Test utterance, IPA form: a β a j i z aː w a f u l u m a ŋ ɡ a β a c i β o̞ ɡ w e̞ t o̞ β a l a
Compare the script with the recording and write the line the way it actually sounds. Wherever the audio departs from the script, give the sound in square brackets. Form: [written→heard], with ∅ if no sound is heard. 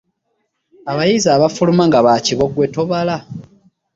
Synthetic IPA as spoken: a β a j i z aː [w→β] a f u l u m a ŋ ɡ a β a c i β o̞ ɡ w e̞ t o̞ β a l a

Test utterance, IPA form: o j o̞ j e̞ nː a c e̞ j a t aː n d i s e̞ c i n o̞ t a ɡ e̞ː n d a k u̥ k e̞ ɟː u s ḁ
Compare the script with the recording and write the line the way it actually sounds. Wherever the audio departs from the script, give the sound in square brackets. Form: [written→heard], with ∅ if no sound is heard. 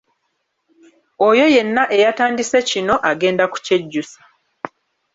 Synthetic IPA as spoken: o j o̞ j e̞ nː a [c→ʔ] e̞ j a t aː n d i s e̞ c i n o̞ [t→ʔ] a ɡ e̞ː n d a k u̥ [k→c] e̞ ɟː u s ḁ

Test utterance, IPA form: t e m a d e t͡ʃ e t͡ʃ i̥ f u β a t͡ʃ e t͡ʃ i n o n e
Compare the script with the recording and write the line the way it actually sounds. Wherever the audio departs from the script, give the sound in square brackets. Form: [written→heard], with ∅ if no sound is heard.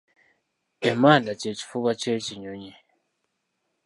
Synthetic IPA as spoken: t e m a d [e→a] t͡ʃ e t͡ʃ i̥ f u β a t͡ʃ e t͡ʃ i [n→ɲ] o [n→ɲ] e

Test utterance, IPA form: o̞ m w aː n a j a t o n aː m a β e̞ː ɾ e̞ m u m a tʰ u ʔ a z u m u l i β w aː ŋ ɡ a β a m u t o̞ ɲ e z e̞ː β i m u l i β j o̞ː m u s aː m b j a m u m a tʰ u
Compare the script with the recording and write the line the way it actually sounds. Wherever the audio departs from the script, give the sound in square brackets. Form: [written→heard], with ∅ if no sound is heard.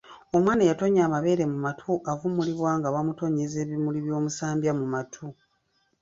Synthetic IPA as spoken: o̞ m w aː n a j a t o [n→ɲ] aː m a β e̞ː ɾ e̞ m u m a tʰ u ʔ a [z→v] u m u l i β w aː ŋ ɡ a β a m u t o̞ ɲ e z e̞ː β i m u l i β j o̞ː m u s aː m b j a m u m a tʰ u

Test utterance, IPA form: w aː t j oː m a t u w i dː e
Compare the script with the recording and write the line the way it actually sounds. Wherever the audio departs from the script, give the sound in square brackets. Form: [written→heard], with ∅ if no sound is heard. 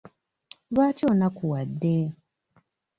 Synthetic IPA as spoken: [w→β] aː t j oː [m→n] a [t→k] u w [i→a] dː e

